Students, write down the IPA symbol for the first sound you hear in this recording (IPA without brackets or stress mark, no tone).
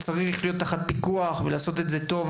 t͡s